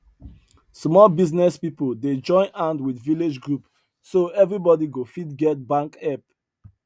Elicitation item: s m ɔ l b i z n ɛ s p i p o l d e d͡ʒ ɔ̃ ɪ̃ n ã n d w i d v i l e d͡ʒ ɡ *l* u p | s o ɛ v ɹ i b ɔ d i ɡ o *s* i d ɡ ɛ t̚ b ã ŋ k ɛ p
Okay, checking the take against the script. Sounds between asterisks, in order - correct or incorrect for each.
incorrect: ɹ, incorrect: f

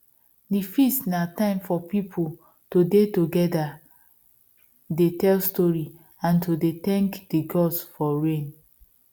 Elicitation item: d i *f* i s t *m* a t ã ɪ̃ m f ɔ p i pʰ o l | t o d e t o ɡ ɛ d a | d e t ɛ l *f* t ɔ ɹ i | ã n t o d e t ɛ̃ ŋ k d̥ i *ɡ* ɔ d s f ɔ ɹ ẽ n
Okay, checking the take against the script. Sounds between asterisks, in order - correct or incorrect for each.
correct, incorrect: n, incorrect: s, correct

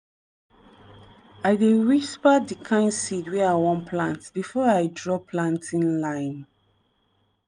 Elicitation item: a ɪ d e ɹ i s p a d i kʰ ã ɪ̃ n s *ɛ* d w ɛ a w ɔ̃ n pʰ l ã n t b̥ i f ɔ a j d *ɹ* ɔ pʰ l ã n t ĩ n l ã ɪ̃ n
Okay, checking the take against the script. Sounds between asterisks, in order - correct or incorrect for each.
incorrect: i, correct

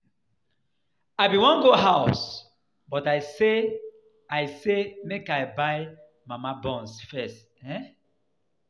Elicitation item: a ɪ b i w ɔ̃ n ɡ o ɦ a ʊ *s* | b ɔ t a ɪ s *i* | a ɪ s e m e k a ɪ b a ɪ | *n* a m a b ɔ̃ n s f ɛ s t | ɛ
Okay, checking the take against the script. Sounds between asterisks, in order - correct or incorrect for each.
correct, incorrect: e, incorrect: m

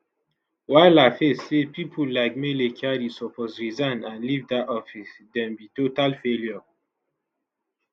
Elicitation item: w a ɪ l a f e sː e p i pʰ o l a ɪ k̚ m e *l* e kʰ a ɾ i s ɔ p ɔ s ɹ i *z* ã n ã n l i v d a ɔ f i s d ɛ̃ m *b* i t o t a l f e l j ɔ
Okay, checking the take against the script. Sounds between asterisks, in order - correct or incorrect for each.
correct, correct, correct

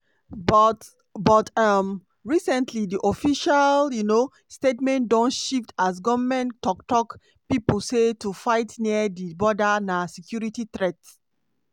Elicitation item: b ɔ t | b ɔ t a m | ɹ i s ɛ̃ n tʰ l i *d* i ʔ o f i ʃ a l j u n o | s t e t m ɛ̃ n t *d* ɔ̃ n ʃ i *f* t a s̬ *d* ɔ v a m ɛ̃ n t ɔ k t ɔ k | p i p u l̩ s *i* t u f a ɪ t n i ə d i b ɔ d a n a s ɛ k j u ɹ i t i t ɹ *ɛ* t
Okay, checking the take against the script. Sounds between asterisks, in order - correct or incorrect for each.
correct, correct, correct, incorrect: ɡ, incorrect: e, correct

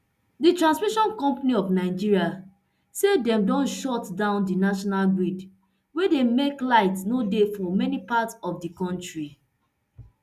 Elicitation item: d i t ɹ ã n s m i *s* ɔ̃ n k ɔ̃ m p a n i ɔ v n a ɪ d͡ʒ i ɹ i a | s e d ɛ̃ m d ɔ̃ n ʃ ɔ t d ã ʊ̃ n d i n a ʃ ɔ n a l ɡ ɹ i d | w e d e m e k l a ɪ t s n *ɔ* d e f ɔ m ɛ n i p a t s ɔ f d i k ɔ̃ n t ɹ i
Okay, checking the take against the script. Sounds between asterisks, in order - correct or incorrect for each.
incorrect: ʃ, incorrect: o

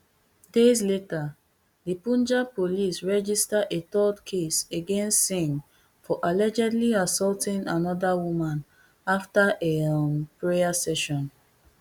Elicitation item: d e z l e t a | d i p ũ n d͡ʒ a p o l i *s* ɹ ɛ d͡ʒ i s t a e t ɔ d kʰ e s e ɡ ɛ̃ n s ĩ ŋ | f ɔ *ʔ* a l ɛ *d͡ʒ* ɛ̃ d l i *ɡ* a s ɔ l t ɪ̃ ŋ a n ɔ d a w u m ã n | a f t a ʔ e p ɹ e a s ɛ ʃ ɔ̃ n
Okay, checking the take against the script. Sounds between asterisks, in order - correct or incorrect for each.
correct, correct, correct, incorrect: none

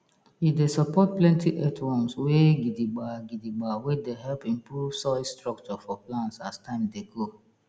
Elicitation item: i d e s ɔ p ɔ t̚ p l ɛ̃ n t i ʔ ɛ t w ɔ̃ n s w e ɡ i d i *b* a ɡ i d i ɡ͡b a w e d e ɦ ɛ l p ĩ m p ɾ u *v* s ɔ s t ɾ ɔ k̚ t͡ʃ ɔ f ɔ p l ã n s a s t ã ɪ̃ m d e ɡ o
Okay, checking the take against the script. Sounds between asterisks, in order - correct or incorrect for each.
incorrect: ɡ͡b, correct

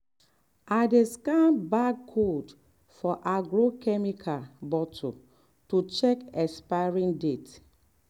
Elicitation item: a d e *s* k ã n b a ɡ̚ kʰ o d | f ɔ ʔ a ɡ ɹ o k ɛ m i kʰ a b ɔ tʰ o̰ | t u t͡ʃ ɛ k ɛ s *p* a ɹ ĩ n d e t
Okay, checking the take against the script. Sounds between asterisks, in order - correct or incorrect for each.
correct, correct

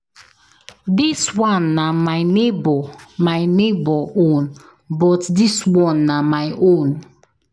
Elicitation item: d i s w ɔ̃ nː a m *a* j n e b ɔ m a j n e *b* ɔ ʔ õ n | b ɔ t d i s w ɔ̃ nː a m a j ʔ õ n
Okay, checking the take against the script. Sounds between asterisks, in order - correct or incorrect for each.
correct, correct

